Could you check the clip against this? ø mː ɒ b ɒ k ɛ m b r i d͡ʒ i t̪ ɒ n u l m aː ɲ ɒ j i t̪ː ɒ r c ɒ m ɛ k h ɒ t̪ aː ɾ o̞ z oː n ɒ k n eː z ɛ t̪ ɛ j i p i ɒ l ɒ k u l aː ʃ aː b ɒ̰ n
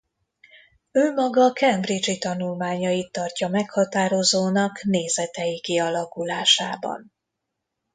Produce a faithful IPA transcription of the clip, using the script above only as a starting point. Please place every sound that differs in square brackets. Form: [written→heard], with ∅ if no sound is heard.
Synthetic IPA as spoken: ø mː ɒ [b→ɡ] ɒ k ɛ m b r i d͡ʒ i t̪ ɒ n u l m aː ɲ ɒ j i t̪ː ɒ r c ɒ m ɛ k h ɒ t̪ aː ɾ o̞ z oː n ɒ k n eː z ɛ t̪ ɛ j i [p→k] i ɒ l ɒ k u l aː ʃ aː b ɒ̰ n